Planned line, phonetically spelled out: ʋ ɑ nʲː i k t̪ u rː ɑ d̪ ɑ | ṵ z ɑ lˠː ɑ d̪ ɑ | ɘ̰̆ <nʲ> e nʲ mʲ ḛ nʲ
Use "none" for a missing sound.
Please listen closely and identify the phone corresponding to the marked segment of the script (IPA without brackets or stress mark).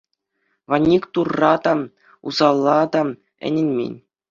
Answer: nʲ